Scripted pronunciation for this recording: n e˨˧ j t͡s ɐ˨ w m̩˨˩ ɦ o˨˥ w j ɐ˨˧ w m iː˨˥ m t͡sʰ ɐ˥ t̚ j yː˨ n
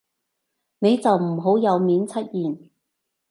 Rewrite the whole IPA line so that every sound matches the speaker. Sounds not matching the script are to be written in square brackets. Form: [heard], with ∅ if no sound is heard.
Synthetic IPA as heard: n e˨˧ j t͡s ɐ˨ w m̩˨˩ ɦ o˨˥ w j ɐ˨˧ w m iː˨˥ [n] t͡sʰ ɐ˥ t̚ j [iː˨] n